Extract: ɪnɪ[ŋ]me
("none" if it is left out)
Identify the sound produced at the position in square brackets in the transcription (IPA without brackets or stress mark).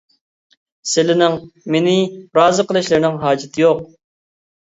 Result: ŋ